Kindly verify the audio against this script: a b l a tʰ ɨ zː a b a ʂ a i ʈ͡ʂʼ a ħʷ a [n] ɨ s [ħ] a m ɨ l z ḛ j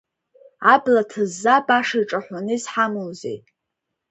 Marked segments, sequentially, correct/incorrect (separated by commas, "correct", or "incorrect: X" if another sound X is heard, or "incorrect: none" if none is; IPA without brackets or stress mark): correct, correct